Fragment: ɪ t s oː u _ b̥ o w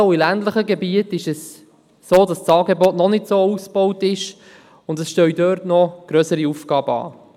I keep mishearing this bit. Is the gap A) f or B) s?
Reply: B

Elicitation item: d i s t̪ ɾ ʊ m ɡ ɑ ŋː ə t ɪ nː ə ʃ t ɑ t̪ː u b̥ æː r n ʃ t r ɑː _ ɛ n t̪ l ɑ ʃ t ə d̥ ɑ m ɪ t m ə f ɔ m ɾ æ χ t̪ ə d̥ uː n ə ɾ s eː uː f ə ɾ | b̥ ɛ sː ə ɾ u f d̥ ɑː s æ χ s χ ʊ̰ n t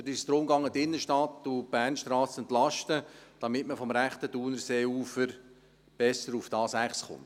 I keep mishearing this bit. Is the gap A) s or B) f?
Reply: A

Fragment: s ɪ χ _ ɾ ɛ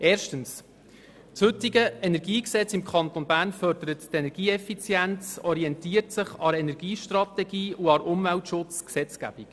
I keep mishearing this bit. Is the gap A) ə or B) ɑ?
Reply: B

